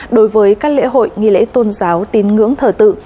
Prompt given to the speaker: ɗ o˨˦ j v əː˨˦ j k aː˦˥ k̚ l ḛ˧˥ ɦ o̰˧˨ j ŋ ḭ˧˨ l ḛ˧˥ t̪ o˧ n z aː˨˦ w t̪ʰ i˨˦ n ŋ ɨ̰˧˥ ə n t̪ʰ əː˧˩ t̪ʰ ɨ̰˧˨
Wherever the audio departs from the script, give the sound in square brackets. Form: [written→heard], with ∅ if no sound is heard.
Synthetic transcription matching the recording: ɗ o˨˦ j v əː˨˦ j k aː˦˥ k̚ l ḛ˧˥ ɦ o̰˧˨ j ŋ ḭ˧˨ l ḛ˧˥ t̪ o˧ n z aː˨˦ w [t̪ʰ→t̪] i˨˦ n ŋ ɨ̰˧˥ ə [n→ŋ] t̪ʰ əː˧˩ [t̪ʰ→t̪] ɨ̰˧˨

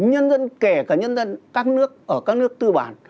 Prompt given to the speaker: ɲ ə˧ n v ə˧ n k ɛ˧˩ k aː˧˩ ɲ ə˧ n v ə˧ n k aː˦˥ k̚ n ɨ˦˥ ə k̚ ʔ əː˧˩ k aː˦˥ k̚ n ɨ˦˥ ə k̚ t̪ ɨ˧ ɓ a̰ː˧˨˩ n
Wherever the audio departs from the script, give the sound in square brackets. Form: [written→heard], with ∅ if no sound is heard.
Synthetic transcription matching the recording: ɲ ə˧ n [v→z] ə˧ n k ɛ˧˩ k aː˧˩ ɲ ə˧ n [v→z] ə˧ n k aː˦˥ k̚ n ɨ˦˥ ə k̚ ʔ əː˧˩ k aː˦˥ k̚ n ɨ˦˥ ə k̚ t̪ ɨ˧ ɓ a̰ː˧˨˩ n

